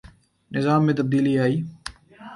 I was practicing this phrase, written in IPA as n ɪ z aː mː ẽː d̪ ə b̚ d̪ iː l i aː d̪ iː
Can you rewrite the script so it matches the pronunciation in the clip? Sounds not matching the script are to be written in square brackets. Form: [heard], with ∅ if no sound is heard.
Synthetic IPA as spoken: n ɪ z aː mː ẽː [t̪] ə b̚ d̪ iː l i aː [∅] iː